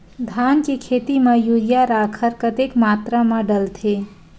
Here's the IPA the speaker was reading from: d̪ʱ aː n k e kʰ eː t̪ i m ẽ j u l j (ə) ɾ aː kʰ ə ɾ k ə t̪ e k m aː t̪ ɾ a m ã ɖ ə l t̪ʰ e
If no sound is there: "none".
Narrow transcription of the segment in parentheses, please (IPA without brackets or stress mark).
a